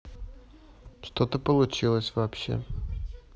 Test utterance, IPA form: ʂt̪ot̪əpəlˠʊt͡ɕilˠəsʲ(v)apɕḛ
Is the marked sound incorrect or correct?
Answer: correct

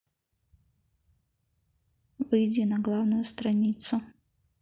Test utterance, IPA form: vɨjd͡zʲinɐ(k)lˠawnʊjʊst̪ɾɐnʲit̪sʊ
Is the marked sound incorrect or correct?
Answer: incorrect: ɡ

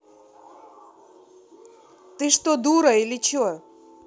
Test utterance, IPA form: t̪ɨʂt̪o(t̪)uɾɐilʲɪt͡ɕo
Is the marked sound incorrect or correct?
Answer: incorrect: d̪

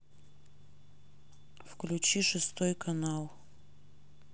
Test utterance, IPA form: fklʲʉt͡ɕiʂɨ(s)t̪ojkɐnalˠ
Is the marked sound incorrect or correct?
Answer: correct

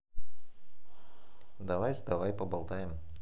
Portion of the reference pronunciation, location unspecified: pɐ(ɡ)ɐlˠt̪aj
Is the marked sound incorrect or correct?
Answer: incorrect: b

